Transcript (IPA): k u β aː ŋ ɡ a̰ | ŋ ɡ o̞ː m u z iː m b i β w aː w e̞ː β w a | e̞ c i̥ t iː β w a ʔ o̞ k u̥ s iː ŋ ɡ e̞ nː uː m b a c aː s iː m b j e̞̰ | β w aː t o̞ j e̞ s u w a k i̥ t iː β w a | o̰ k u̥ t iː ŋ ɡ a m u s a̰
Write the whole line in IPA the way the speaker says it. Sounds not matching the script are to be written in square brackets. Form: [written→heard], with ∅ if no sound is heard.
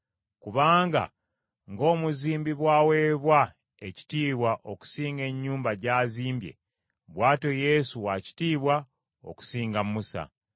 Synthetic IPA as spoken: k u β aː ŋ ɡ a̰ | ŋ ɡ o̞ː m u z iː m b i β w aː w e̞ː β w a | e̞ c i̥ t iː β w a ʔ o̞ k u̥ s iː ŋ ɡ e̞ [nː→ɲː] uː m b a [c→ɟ] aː [s→z] iː m b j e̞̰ | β w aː t o̞ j e̞ s u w a [k→c] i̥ t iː β w a | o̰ k u̥ [t→s] iː ŋ ɡ a m u s a̰